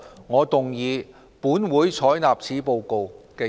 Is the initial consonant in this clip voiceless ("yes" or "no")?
no